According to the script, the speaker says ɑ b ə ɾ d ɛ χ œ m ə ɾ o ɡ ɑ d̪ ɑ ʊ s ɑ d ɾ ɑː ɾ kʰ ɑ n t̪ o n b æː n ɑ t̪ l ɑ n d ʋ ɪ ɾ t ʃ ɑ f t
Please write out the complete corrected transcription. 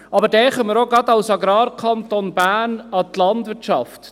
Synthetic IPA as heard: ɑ b ə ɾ d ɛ χ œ m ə ɾ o ɡ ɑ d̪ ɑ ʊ s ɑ ɡ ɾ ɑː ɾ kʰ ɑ n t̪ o n b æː n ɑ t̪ l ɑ n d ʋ ɪ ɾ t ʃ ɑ f t